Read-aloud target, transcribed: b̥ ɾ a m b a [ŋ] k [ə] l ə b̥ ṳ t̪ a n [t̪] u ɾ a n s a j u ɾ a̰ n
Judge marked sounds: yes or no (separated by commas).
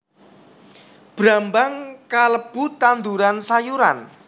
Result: yes, no, no